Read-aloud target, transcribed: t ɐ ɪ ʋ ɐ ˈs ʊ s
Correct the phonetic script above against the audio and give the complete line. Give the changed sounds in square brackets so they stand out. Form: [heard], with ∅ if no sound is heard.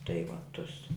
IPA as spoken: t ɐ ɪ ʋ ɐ [ˈt] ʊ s